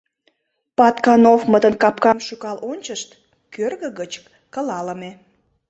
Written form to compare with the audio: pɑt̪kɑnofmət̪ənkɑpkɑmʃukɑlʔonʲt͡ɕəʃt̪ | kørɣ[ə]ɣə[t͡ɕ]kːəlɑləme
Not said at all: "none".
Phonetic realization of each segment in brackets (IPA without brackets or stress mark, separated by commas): ə, t͡ɕ